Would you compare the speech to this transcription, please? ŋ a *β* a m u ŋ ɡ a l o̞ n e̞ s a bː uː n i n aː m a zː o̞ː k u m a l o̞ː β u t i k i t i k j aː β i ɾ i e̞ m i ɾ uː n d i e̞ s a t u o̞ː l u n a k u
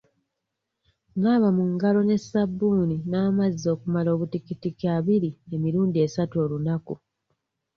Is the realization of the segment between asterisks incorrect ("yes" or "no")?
no